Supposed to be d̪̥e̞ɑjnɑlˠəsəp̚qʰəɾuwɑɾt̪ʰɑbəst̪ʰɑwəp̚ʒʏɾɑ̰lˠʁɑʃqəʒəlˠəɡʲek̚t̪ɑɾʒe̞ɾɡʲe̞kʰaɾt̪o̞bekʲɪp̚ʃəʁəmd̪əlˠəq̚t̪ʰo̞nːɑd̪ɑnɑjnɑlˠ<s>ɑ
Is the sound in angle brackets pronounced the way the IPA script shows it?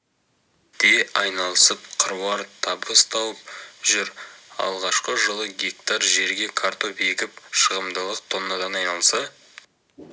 yes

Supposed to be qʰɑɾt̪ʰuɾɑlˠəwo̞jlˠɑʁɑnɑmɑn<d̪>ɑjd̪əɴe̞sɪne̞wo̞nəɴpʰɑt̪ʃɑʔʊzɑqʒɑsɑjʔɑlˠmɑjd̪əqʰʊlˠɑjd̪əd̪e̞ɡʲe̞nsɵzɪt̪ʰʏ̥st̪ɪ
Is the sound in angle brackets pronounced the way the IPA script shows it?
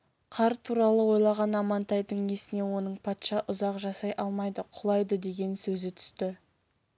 no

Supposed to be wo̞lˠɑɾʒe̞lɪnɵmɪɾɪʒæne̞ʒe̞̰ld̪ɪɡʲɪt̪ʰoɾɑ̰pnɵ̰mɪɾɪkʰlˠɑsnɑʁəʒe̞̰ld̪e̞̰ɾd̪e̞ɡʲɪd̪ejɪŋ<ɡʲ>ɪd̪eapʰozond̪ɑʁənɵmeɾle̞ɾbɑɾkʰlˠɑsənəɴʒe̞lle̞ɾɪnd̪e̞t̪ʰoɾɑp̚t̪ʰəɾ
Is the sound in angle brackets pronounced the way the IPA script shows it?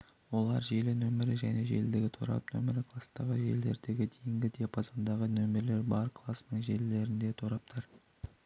yes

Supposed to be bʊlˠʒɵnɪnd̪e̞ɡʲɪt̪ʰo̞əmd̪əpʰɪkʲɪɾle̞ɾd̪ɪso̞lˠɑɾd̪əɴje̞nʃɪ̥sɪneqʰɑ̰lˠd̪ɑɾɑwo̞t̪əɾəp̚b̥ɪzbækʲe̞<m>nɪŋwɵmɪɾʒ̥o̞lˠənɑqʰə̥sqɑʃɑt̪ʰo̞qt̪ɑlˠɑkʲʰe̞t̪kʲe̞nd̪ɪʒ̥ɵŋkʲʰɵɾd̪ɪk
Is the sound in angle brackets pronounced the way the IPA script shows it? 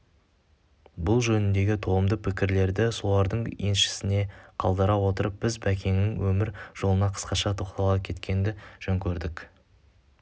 no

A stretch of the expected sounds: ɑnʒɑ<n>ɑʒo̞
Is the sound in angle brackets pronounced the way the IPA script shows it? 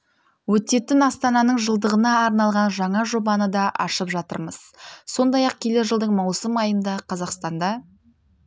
no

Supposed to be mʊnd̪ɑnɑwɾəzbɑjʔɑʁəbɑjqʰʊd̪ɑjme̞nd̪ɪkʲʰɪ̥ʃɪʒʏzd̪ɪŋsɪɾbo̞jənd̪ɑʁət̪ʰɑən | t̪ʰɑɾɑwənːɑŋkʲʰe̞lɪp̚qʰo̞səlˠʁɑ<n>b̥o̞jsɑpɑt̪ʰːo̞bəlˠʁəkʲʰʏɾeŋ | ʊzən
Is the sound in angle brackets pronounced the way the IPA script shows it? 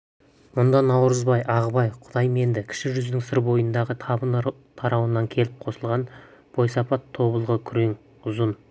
yes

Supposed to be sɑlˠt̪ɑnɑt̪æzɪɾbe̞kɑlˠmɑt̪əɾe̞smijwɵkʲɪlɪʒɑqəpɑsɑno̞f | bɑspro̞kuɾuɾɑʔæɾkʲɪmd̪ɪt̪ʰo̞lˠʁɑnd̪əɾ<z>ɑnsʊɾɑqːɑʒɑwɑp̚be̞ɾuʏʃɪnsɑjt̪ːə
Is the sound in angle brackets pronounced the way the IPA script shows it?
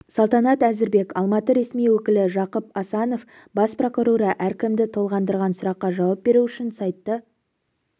no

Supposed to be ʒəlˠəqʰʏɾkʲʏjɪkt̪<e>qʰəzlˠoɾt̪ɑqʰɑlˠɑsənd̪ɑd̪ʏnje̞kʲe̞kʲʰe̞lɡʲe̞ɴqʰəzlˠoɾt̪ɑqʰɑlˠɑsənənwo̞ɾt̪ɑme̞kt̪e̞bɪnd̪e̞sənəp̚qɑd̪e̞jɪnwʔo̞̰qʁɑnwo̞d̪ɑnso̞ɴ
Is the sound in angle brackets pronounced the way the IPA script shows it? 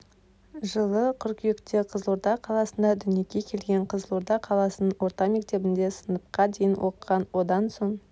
yes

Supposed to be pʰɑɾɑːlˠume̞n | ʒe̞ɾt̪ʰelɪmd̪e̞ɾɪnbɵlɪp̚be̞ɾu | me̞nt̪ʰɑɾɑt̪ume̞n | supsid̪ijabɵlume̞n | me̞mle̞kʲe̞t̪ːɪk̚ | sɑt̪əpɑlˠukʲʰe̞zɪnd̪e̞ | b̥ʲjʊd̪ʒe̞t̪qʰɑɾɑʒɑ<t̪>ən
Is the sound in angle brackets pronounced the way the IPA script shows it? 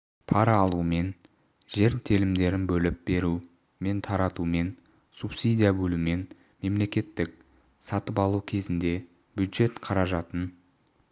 yes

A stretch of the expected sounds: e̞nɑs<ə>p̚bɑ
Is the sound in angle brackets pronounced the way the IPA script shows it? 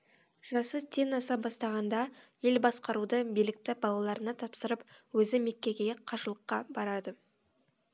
no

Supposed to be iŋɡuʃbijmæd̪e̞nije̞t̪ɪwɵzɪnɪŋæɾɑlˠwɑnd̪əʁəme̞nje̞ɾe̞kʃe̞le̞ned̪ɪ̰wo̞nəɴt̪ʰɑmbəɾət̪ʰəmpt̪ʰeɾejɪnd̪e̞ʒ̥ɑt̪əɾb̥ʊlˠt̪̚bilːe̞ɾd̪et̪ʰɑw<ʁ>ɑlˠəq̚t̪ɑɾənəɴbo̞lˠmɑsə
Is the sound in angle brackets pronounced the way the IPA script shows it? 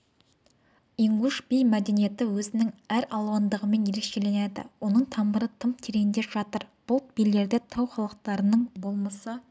no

